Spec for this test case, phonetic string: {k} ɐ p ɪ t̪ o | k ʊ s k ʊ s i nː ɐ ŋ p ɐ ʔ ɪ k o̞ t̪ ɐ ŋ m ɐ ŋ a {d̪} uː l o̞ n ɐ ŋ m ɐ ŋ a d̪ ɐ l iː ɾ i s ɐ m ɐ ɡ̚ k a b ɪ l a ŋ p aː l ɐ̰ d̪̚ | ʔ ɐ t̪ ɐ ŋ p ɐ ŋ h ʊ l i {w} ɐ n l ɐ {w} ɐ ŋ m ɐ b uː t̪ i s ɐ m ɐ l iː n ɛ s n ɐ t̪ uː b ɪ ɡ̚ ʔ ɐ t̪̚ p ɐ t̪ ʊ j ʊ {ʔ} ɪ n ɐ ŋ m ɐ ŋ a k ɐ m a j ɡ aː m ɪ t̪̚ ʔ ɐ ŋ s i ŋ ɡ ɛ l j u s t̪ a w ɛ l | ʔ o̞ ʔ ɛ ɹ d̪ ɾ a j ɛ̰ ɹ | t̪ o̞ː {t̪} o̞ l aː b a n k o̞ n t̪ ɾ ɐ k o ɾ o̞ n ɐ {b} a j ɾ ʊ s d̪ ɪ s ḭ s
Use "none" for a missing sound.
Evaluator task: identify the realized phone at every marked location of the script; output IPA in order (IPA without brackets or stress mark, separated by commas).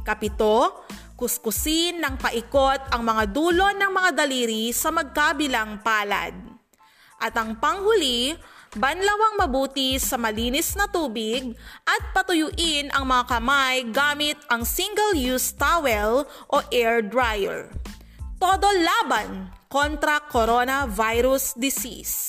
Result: k, d̪, b, w, ʔ, d̪, v